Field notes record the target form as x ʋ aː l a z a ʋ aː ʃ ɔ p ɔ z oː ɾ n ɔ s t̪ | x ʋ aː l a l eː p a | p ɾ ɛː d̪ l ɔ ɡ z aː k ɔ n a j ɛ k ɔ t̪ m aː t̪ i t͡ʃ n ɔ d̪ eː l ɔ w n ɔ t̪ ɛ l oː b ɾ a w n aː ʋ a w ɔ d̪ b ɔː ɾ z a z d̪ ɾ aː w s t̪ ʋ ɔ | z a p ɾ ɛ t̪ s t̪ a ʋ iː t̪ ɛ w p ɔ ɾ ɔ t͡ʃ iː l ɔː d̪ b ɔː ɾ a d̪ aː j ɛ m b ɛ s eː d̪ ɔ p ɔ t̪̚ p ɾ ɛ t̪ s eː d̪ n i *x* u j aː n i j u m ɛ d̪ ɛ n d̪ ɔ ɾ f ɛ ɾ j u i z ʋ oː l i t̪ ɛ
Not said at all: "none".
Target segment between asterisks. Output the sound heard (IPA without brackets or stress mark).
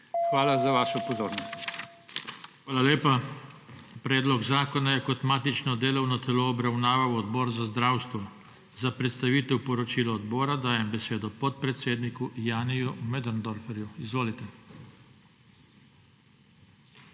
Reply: k